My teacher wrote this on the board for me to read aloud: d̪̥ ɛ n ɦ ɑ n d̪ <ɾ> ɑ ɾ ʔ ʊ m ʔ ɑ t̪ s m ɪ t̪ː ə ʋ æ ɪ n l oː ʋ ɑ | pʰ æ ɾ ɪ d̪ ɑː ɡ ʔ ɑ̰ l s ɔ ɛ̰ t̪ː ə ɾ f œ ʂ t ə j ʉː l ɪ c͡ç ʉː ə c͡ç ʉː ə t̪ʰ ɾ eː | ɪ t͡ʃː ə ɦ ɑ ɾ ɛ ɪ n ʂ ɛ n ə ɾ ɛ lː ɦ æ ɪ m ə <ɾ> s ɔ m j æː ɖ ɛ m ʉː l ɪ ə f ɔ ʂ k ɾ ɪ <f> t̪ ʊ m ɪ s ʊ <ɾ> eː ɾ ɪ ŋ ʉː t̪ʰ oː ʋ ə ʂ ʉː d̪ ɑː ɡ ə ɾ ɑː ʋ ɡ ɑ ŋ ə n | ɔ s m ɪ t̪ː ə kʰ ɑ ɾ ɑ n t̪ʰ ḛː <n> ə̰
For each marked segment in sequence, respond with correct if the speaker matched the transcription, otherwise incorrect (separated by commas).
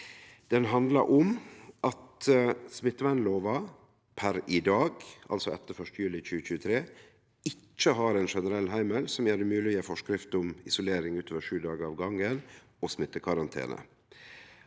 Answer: incorrect, incorrect, correct, incorrect, correct